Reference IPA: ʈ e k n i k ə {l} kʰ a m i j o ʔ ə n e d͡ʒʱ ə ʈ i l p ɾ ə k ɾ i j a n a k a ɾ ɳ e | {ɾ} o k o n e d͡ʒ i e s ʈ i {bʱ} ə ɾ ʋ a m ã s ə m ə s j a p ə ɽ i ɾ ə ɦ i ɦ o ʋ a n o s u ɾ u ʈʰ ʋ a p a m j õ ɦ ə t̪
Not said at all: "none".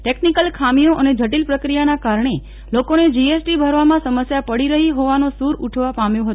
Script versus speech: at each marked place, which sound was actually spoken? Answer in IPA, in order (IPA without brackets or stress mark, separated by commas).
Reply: l, l, bʱ